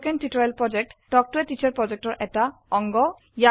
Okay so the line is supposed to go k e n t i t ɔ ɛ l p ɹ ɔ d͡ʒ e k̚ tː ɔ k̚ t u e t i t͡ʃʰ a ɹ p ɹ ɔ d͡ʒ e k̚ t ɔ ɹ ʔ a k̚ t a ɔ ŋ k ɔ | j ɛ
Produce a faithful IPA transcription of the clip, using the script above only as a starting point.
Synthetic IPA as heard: k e n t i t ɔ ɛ l p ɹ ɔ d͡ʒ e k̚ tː ɔ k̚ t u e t i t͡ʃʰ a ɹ p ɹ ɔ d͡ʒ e k̚ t ɔ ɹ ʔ ɛ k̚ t a ɔ ŋ ɡ ɔ | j a